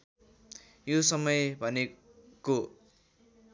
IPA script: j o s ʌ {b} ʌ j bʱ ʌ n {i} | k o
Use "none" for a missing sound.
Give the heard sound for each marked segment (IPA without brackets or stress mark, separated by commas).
m, e